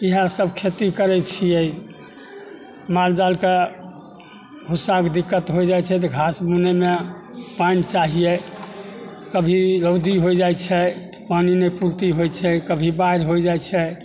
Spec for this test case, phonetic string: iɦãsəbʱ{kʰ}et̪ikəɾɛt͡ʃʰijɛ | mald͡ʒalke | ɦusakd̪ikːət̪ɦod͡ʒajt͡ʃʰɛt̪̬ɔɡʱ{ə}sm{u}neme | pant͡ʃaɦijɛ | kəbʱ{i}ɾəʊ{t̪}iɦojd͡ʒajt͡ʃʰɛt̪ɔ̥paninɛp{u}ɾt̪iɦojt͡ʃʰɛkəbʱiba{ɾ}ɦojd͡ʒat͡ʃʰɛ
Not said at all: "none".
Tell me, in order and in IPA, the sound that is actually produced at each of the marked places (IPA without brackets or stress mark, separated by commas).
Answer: kʰ, a, u, i, d̪, u, ɾ